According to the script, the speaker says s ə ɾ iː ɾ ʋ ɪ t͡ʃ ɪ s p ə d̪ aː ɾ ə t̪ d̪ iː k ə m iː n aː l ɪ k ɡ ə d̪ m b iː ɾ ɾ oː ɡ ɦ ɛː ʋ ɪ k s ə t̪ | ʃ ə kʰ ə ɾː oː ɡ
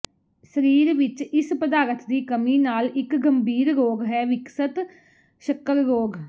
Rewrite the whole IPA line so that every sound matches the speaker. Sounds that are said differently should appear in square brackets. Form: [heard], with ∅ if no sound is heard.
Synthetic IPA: s ə ɾ iː ɾ ʋ ɪ t͡ʃ ɪ s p ə d̪ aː ɾ ə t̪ d̪ iː k ə m iː n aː l ɪ k ɡ ə [∅] m b iː ɾ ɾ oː ɡ ɦ ɛː ʋ ɪ k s ə t̪ | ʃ ə [k] ə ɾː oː ɡ